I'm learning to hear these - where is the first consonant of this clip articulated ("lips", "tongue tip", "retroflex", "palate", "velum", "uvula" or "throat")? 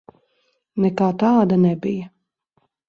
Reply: tongue tip